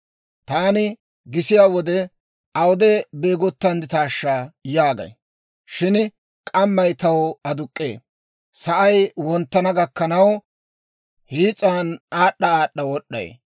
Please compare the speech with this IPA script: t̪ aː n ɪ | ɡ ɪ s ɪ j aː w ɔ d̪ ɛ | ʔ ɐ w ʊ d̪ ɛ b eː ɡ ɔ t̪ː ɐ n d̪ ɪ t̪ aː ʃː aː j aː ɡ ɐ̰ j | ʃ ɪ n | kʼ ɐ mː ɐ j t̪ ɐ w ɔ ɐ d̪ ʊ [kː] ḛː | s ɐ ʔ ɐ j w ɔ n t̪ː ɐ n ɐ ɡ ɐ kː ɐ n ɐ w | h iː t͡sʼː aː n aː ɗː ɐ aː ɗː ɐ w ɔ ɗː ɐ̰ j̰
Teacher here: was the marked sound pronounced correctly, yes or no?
no